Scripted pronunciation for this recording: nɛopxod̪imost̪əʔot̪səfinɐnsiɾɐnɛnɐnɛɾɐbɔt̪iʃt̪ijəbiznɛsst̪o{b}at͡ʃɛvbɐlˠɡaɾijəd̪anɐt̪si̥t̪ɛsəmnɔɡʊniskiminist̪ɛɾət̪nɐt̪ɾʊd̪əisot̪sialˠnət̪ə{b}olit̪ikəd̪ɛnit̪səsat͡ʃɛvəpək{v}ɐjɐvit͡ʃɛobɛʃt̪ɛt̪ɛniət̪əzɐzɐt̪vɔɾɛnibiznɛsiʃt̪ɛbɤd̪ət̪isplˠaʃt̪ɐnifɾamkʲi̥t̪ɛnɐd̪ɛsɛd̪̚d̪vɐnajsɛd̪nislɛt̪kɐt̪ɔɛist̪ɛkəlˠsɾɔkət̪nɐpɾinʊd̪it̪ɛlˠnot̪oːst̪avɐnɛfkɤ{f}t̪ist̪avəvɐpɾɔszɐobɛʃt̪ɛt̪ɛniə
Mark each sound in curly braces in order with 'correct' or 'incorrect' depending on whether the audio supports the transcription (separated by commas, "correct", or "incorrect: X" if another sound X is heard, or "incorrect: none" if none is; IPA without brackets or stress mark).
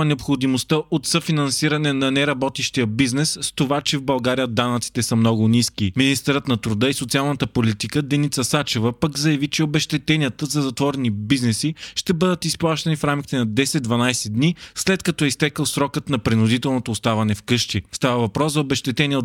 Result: incorrect: v, incorrect: p, incorrect: z, incorrect: ʃ